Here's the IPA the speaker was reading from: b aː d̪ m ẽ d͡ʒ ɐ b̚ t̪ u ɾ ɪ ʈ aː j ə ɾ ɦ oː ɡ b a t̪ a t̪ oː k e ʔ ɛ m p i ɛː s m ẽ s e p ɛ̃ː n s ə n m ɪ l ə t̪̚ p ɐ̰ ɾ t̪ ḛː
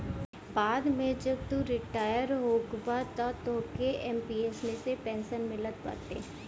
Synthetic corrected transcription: b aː d̪ m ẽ d͡ʒ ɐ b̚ t̪ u ɾ ɪ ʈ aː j ə ɾ ɦ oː ɡ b a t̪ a t̪ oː k e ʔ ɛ m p i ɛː s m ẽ s e p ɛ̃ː n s ə n m ɪ l ə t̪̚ p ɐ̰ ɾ t̪ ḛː